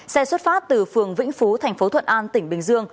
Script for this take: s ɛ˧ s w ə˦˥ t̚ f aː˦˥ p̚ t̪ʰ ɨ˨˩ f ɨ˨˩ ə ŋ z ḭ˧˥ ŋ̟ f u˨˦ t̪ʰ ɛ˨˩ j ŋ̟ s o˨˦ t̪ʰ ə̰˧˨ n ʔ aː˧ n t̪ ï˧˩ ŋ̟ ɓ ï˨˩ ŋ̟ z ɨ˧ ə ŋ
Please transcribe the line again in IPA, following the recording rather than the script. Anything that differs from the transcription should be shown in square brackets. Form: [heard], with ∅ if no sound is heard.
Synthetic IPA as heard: s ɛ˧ s w ə˦˥ t̚ f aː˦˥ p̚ [t̪] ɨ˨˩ f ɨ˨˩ ə ŋ [v] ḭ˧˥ ŋ̟ f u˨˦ t̪ʰ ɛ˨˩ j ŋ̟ [f] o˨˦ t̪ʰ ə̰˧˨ n ʔ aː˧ n t̪ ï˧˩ ŋ̟ ɓ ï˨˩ ŋ̟ z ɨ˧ ə ŋ